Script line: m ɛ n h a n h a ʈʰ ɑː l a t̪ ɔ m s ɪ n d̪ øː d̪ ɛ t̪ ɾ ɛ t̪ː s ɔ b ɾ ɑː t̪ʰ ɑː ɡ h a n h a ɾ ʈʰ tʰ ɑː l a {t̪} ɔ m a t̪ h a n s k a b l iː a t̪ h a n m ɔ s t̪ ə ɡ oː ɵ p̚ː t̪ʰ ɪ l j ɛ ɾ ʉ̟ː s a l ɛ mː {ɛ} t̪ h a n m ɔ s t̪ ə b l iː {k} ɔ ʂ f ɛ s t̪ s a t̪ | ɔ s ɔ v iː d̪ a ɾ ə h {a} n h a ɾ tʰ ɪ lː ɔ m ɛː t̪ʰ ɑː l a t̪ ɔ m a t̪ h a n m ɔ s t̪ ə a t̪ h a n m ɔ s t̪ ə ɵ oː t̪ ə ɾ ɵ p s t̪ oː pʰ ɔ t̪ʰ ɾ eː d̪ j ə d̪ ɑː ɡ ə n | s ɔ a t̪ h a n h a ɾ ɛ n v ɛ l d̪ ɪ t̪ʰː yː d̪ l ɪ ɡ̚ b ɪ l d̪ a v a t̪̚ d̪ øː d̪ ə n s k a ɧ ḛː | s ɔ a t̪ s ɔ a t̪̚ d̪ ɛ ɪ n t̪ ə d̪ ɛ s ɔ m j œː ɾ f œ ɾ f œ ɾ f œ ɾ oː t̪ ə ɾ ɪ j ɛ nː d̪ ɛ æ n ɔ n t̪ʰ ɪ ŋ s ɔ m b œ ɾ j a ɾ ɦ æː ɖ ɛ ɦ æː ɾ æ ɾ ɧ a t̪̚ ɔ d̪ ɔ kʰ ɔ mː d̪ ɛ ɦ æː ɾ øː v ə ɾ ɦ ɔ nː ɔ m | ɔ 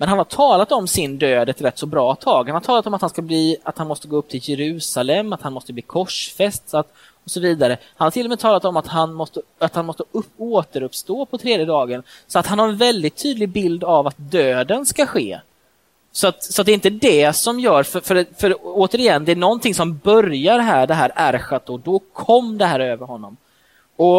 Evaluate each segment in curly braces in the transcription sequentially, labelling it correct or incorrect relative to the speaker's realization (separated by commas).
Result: correct, incorrect, incorrect, correct